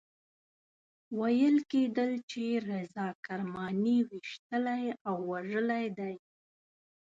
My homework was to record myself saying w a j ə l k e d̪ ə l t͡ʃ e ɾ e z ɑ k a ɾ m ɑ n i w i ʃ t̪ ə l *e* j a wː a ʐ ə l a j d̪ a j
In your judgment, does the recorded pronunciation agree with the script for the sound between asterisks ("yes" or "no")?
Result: no